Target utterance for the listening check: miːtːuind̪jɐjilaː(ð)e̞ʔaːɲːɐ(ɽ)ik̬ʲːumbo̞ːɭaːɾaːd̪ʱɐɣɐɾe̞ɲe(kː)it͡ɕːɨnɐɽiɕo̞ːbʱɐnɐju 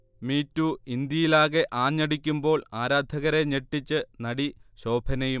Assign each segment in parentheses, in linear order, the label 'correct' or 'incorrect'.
incorrect: ɣ, correct, incorrect: ʈː

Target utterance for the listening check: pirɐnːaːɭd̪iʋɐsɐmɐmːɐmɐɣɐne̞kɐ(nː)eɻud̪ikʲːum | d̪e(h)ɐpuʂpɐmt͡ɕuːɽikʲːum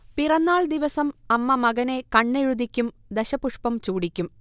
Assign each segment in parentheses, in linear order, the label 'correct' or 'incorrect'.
incorrect: ɳː, incorrect: ɕ

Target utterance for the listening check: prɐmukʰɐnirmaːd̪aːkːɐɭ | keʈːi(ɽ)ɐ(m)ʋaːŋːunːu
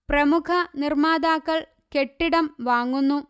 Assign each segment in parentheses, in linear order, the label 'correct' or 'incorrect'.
correct, correct

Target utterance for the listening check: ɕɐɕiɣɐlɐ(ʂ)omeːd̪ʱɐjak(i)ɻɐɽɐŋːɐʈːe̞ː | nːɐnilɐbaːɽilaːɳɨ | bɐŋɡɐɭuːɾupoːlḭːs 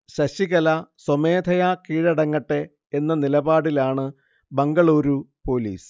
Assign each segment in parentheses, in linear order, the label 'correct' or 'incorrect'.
incorrect: s, incorrect: iː

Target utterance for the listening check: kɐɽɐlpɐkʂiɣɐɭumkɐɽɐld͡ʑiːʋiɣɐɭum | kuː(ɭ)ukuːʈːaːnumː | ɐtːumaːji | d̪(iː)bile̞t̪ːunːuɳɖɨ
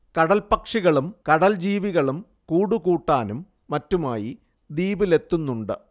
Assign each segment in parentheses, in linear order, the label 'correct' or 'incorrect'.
incorrect: ɽ, correct

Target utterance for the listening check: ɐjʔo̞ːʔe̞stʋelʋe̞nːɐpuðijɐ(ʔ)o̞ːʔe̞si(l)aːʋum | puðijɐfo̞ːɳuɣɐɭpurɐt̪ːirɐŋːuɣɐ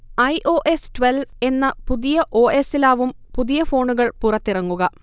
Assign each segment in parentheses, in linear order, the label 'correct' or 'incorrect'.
correct, correct

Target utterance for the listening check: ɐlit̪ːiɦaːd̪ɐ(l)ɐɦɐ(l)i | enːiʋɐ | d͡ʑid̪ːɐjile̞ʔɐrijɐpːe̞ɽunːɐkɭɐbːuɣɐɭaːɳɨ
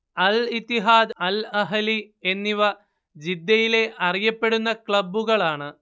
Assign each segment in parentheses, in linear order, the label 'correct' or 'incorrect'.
correct, correct

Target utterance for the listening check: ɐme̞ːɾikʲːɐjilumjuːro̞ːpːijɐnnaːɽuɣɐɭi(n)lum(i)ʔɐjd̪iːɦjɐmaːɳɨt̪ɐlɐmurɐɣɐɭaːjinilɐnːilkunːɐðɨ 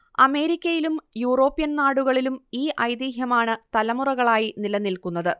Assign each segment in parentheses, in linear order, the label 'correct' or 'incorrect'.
incorrect: none, incorrect: iː

